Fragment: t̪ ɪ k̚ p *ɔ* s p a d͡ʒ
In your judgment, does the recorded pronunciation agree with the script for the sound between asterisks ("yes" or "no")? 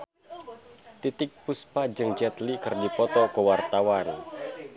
no